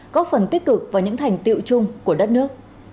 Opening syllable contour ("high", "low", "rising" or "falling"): rising